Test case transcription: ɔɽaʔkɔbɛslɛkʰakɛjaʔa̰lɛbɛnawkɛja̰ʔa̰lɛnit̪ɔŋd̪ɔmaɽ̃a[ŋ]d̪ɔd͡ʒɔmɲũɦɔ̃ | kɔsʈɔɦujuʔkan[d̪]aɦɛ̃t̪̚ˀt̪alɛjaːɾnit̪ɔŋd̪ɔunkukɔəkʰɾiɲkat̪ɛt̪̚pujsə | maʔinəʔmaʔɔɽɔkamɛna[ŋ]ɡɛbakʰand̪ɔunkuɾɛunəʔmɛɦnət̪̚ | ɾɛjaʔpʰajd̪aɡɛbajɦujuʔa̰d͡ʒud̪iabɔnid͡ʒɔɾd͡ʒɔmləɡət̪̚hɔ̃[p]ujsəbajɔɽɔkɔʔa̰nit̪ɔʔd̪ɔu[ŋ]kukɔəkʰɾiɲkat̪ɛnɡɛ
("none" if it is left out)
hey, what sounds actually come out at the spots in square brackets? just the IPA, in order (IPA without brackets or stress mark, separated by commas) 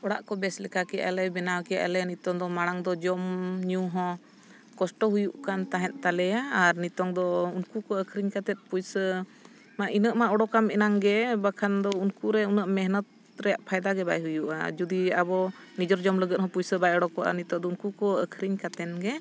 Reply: ŋ, t̪, ŋ, p, n